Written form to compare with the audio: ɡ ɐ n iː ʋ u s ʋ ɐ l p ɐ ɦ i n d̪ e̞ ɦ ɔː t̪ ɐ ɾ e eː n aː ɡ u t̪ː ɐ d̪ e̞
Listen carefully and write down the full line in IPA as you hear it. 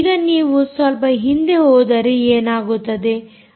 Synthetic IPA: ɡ ɐ n iː ʋ u s ʋ ɐ l p ɐ ɦ i n d̪ e̞ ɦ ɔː d̪ ɐ ɾ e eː n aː ɡ u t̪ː ɐ d̪ e̞